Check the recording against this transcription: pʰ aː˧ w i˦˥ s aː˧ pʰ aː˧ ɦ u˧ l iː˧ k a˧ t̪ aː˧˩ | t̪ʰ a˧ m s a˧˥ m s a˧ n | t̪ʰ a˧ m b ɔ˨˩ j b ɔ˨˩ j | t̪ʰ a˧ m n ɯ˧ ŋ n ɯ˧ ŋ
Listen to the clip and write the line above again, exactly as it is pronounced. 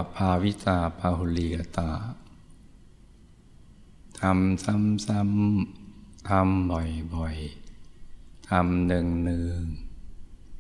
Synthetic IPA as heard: pʰ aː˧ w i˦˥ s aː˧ pʰ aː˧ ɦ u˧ l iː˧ k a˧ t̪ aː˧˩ | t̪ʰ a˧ m s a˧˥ m s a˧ m | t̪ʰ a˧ m b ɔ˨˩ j b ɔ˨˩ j | t̪ʰ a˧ m n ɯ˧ ŋ n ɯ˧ ŋ